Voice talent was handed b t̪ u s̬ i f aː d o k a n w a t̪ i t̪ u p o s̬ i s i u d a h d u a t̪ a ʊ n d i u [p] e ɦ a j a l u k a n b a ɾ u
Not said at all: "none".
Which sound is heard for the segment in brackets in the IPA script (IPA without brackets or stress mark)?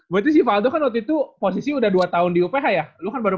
p